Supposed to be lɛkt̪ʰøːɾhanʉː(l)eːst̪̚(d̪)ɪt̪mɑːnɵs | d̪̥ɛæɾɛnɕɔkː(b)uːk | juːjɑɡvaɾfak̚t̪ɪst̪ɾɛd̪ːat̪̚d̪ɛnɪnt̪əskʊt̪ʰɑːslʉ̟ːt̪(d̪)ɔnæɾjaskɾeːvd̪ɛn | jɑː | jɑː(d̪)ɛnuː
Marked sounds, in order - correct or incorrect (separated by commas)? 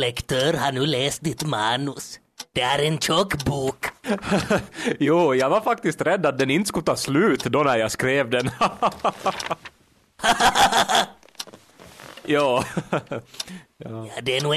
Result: correct, correct, correct, correct, correct